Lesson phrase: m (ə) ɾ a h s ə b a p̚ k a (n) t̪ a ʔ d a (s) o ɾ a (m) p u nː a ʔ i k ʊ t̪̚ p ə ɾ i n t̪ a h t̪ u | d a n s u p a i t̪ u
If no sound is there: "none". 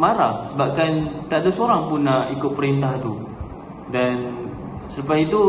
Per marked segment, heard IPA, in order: a, n, s, ŋ

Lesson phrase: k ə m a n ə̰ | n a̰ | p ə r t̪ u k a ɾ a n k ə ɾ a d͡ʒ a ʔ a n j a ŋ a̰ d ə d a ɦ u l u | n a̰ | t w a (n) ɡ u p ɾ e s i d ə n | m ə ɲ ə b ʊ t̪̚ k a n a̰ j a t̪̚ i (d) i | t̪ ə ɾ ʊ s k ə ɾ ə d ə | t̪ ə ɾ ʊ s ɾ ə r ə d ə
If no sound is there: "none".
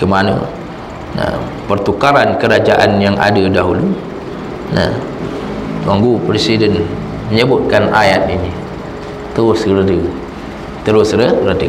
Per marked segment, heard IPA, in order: ŋ, n

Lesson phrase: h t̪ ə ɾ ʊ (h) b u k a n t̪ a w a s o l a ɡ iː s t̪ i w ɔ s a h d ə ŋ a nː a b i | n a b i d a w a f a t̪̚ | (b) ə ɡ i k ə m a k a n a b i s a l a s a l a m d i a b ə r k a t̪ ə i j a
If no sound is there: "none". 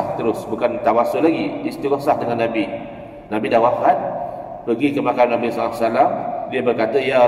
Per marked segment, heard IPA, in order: s, p

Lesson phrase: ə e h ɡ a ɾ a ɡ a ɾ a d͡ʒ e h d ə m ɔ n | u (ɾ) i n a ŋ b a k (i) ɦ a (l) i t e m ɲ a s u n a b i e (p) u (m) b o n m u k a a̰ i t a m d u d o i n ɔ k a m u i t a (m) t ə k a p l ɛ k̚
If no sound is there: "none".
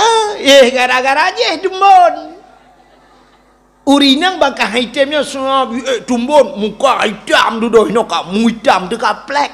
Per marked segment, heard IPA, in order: ɾ, a, none, t, m, m

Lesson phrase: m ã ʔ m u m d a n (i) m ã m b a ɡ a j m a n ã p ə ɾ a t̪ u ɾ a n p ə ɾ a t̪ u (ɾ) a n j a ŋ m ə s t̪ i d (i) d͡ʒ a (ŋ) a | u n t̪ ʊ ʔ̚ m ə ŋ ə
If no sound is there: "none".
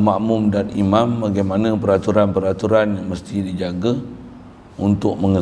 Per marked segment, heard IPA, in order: i, ɾ, i, ɡ

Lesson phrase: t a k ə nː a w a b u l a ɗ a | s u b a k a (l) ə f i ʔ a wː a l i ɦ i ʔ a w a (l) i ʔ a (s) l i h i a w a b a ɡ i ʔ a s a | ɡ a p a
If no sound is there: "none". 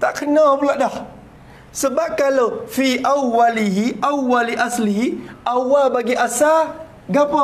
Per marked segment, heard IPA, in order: l, l, s

